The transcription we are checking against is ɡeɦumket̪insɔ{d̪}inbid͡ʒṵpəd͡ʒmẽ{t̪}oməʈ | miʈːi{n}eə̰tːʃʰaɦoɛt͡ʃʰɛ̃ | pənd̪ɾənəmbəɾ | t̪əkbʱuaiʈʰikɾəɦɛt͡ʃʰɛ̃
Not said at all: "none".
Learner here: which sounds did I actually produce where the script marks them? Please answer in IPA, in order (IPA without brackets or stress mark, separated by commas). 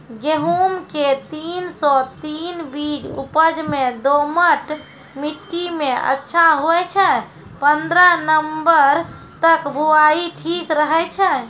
t̪, d̪, m